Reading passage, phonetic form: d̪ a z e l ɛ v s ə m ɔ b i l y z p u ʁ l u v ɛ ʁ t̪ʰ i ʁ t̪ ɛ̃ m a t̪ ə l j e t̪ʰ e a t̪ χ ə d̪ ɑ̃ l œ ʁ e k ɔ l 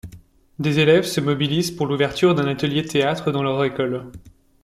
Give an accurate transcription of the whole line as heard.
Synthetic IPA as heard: d̪ e z e l ɛ v s ə m ɔ b i l i z p u ʁ l u v ɛ ʁ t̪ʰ y ʁ d̪ ɛ̃ n a t̪ ə l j e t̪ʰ e a t̪ χ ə d̪ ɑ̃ l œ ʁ e k ɔ l